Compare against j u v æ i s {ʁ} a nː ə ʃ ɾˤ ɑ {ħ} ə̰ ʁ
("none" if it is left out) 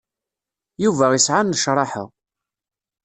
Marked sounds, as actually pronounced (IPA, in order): ʕ, ħ

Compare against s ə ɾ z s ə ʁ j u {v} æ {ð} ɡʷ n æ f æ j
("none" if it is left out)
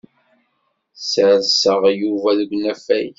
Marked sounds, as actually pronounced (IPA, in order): v, ð

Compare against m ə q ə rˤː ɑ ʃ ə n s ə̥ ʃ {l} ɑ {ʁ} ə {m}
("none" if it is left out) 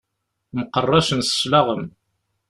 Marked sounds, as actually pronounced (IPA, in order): l, ʁ, m

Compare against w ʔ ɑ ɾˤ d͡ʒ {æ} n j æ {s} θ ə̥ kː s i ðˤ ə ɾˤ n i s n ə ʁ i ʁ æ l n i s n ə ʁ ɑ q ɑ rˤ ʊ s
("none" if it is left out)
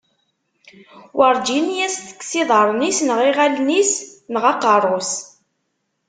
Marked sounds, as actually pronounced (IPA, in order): i, s

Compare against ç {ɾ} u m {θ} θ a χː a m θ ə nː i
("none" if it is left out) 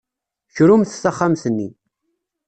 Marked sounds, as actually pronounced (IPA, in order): ɾ, θ

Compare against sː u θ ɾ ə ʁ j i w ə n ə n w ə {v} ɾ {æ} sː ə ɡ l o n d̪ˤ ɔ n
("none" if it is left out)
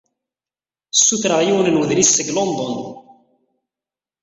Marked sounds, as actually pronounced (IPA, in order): ð, i

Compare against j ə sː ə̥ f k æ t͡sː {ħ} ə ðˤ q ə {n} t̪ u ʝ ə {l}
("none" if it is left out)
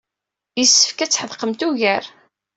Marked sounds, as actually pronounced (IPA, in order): ħ, m, ɾ

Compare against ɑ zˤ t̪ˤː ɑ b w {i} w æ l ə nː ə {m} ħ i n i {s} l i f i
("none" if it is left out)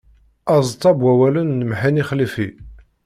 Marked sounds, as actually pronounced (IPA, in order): æ, m, χ

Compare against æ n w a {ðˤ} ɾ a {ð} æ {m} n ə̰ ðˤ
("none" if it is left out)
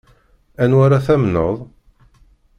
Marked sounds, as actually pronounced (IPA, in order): none, θ, m

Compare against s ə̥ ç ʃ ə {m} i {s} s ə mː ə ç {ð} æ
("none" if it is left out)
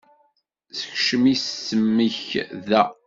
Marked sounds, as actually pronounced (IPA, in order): m, s, ð

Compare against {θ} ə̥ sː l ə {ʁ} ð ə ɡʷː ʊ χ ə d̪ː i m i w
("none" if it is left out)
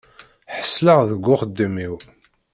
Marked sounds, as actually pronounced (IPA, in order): ħ, ʁ

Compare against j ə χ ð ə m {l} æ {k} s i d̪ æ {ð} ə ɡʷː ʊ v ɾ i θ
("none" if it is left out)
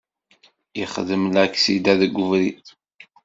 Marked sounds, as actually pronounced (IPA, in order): l, k, ð

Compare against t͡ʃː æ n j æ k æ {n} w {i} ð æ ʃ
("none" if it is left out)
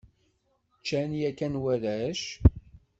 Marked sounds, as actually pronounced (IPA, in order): n, æ

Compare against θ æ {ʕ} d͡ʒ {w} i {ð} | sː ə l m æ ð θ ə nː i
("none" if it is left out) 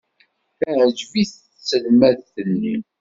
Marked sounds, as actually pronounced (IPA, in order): ʕ, v, θ

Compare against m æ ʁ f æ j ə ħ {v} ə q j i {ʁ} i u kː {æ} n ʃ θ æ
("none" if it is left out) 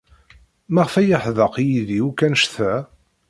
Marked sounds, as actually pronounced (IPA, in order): ð, ð, æ

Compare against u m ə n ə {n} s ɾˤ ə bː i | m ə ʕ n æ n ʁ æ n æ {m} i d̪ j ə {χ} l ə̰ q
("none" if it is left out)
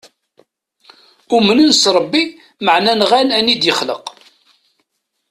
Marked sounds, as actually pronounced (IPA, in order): n, n, χ

